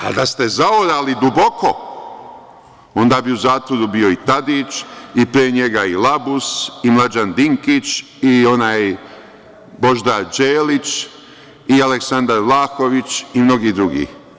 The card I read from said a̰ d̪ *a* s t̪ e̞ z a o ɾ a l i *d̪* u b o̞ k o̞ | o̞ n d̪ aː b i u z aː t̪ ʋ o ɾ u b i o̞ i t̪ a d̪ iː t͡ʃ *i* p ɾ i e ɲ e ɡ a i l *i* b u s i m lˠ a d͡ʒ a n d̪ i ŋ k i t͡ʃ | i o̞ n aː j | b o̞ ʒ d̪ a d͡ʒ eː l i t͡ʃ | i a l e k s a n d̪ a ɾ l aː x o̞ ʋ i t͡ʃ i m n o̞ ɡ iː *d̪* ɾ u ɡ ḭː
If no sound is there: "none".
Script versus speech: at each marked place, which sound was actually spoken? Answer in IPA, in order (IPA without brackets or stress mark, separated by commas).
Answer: a, d̪, i, a, d̪